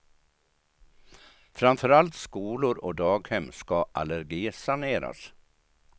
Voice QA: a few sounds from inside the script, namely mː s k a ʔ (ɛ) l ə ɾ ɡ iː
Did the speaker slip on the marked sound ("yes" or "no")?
yes